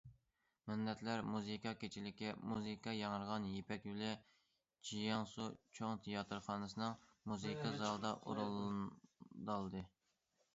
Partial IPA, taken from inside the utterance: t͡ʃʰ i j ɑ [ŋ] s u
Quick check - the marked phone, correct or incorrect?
correct